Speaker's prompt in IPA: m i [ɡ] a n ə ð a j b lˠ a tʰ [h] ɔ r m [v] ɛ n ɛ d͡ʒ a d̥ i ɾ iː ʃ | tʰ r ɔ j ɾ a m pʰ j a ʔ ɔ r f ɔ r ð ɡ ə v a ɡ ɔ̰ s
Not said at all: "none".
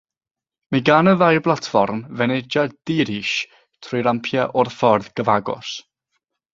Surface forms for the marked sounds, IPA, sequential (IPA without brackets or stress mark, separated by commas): ɡ, f, v